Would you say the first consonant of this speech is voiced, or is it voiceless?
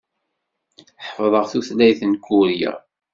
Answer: voiceless